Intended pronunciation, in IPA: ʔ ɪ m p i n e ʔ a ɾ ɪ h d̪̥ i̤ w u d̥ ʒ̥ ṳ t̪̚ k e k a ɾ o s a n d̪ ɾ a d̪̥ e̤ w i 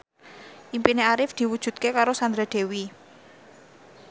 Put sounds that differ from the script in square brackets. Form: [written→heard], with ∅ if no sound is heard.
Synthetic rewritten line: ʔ [ɪ→i] m p i n e [ʔ→∅] a ɾ ɪ [h→f] d̪̥ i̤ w u d̥ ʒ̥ ṳ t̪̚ k e k a ɾ o s a n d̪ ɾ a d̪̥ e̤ w i

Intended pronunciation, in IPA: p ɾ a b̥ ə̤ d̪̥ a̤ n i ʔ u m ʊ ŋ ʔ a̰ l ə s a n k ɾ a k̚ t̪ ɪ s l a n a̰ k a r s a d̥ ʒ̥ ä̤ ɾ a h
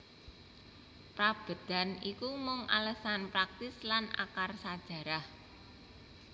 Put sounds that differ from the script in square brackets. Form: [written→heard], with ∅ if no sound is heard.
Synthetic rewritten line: p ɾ a b̥ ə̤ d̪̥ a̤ n i [ʔ→k] u m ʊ ŋ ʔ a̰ l ə s a n [k→p] ɾ a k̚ t̪ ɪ s l a n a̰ k a r s a d̥ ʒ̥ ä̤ ɾ a h

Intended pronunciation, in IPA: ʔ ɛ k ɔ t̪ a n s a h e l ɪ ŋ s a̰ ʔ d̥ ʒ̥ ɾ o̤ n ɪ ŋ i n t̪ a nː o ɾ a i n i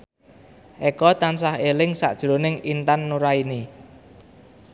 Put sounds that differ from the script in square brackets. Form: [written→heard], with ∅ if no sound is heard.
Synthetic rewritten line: ʔ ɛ k ɔ t̪ a n s a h e l ɪ ŋ s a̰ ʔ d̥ ʒ̥ ɾ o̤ n ɪ ŋ i n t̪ a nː [o→u] ɾ a i n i

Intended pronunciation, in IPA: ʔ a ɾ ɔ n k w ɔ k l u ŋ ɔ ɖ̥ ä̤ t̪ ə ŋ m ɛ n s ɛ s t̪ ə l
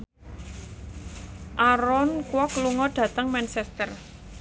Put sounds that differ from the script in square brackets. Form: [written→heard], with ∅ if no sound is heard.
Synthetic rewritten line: ʔ a ɾ ɔ n k w ɔ k l u ŋ ɔ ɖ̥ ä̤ t̪ ə ŋ m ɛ n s ɛ s t̪ ə [l→r]

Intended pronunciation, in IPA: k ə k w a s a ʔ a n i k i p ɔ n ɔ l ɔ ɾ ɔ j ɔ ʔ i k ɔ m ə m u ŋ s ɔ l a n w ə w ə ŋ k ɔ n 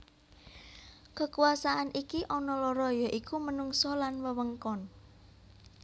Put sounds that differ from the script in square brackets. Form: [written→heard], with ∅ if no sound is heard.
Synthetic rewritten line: k ə k [w→u] a s a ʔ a n i k i [p→ʔ] ɔ n ɔ l ɔ ɾ ɔ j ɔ ʔ i k [ɔ→u] m ə [m→n] u ŋ s ɔ l a n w ə w ə ŋ k ɔ n

